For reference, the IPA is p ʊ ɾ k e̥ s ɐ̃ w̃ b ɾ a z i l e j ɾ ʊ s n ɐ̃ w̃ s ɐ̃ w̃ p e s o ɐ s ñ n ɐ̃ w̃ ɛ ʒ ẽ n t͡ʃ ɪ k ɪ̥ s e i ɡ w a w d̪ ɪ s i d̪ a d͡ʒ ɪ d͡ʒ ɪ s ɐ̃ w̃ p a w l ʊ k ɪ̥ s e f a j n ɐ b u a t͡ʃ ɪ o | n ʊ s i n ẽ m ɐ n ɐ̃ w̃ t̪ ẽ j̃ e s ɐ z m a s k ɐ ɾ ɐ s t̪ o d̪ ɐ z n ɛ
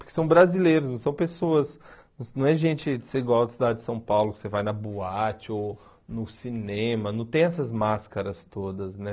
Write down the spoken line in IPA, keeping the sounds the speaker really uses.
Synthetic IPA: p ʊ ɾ k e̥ s ɐ̃ w̃ b ɾ a z i l e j ɾ ʊ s n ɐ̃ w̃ s ɐ̃ w̃ p e s o ɐ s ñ n ɐ̃ w̃ ɛ ʒ ẽ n t͡ʃ ɪ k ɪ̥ s e i ɡ w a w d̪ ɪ s i d̪ a d͡ʒ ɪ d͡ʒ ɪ s ɐ̃ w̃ p a w l ʊ k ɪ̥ s e v a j n ɐ b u a t͡ʃ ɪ o | n ʊ s i n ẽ m ɐ n ɐ̃ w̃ t̪ ẽ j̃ ɛ s ɐ z m a s k ɐ ɾ ɐ s t̪ o d̪ ɐ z n ɛ